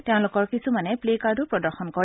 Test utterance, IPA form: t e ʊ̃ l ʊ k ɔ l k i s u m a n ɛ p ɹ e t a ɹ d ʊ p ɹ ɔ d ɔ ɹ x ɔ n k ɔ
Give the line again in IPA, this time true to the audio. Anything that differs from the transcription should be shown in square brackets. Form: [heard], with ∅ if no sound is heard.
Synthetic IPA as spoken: t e ʊ̃ l ʊ k ɔ [ɹ] k i s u m a n ɛ p [l] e [k] a ɹ d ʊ p ɹ ɔ d ɔ ɹ x ɔ n k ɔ